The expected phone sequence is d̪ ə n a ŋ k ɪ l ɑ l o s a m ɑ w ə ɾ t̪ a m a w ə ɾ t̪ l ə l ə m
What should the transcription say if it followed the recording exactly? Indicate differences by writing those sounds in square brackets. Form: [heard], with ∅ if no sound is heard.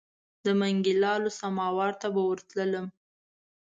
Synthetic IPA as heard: d̪ ə [m] a ŋ [ɡ] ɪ l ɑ l o s a m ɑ w [ɑ] ɾ t̪ a [b] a w ə ɾ t̪ l ə l ə m